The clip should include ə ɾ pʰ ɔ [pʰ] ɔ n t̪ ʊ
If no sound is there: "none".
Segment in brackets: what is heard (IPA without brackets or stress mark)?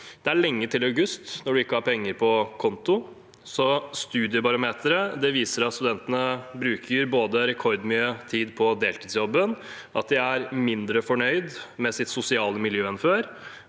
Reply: kʰ